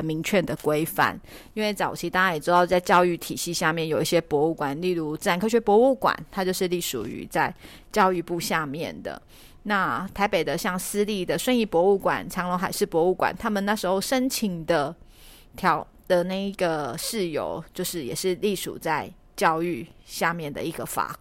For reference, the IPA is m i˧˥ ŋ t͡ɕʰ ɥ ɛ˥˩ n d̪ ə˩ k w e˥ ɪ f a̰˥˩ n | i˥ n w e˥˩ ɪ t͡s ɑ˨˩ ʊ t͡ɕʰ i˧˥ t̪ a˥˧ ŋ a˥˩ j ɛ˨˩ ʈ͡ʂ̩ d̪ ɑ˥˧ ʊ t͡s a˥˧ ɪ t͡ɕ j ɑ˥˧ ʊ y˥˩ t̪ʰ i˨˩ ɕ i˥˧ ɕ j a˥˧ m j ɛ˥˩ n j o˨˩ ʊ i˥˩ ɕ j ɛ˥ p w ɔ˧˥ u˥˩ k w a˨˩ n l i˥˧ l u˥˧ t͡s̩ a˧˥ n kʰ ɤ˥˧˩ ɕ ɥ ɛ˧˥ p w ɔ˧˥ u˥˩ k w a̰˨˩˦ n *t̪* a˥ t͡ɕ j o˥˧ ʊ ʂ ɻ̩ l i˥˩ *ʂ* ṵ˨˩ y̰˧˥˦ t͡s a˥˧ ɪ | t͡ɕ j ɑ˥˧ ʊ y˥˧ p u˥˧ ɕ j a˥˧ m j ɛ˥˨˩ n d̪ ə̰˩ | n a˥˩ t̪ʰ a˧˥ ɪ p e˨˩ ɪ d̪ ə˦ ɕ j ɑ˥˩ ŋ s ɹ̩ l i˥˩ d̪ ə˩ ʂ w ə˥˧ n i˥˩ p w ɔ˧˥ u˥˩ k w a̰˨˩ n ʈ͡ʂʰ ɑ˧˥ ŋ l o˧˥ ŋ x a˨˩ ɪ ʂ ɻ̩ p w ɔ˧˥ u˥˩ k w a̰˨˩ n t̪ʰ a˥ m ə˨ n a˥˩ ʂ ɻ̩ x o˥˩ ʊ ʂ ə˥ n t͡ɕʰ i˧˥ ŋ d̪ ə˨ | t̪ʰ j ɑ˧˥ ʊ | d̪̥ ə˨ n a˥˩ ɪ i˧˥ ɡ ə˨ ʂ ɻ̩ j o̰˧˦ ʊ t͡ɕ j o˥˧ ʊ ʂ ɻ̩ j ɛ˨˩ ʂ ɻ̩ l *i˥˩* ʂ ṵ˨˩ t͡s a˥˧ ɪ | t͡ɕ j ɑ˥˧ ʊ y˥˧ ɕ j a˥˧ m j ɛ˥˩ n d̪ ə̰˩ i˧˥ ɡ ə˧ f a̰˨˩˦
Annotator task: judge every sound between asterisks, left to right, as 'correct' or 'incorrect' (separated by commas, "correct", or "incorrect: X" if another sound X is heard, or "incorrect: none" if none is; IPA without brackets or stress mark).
incorrect: t̪ʰ, correct, correct